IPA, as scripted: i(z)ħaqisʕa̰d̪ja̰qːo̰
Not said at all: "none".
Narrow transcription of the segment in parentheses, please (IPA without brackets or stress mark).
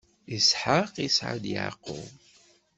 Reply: s